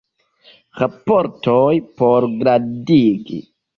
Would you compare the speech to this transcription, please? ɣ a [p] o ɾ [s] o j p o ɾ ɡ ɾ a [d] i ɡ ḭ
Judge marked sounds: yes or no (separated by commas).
yes, no, yes